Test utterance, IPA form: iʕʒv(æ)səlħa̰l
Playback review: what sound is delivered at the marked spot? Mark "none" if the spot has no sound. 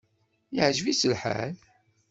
i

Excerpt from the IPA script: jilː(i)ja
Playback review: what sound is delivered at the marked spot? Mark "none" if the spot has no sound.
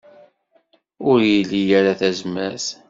i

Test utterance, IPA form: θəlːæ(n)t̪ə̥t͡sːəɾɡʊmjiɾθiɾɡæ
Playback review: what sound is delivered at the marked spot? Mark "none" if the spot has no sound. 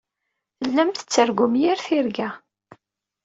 m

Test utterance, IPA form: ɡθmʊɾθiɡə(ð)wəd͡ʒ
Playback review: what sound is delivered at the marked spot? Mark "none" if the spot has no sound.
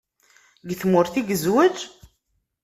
z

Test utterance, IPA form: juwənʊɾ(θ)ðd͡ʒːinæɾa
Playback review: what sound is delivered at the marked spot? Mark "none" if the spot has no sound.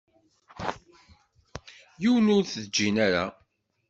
θ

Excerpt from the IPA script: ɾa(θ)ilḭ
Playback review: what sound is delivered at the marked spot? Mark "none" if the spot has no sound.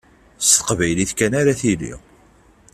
θ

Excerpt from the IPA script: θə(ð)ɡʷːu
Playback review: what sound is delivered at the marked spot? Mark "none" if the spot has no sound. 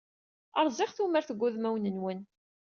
none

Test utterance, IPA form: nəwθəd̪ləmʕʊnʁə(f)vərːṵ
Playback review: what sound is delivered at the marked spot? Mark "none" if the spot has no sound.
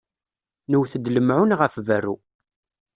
f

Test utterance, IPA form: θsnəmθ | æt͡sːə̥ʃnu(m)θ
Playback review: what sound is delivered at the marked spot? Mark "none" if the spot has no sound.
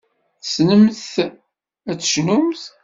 m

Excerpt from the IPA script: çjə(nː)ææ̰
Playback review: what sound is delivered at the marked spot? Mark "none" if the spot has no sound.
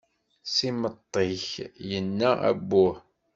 nː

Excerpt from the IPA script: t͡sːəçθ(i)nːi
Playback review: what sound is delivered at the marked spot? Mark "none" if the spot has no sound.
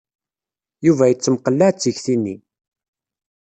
i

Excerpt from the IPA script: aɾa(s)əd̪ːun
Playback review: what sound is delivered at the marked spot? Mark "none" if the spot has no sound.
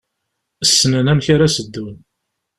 s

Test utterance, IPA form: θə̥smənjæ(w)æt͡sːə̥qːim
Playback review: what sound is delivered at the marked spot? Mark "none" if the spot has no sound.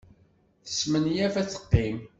v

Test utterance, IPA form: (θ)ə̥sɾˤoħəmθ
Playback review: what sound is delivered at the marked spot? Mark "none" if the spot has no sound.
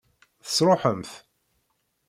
θ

